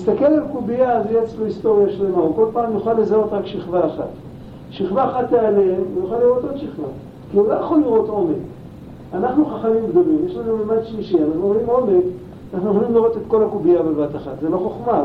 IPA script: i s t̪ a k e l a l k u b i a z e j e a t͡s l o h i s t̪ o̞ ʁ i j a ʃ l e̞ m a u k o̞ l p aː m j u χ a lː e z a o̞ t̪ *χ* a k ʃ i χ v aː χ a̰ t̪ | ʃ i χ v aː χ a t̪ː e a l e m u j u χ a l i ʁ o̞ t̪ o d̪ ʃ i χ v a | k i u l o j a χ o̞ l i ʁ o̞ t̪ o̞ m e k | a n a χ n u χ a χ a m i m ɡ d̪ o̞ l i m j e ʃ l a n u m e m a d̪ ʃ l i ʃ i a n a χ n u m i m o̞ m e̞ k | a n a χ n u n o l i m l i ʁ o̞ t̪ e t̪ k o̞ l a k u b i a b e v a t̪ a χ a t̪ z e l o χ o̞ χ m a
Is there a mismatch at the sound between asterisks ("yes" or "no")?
yes